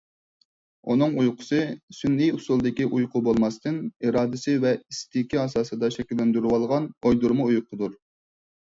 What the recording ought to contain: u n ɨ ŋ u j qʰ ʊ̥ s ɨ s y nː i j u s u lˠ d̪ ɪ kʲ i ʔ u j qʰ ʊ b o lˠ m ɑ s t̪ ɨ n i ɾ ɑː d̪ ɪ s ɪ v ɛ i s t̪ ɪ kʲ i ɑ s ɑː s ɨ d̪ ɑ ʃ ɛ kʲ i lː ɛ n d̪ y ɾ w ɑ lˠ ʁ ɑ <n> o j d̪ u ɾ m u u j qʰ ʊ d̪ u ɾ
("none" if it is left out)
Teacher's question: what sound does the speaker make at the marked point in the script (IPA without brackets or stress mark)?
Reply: n